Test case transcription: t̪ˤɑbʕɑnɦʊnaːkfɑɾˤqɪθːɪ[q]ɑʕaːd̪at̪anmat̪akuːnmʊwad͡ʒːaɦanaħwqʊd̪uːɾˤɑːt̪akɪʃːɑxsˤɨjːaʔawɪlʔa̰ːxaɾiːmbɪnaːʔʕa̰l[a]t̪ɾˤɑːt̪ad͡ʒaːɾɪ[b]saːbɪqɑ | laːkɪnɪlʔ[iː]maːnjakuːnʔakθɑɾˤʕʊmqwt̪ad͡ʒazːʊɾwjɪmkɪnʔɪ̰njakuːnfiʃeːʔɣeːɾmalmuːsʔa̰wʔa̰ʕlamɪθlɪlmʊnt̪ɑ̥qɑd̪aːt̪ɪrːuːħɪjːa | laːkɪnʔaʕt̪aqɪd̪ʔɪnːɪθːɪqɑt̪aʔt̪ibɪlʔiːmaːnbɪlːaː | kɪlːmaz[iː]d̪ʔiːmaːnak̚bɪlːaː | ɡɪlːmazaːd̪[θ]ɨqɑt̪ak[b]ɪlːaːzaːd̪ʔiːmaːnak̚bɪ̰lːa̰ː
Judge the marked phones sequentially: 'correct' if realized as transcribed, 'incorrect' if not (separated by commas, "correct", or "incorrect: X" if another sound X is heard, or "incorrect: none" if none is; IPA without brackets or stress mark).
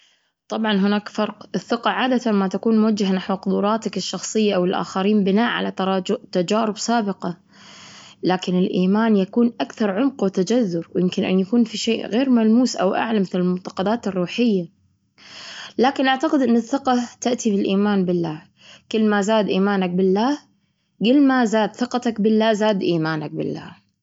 correct, correct, correct, correct, incorrect: aː, correct, correct